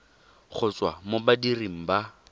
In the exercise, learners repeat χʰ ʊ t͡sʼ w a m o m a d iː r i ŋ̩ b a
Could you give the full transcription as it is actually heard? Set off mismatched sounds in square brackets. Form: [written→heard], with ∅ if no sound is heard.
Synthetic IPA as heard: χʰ ʊ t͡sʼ w a m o [m→b] a d [iː→i] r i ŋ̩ b a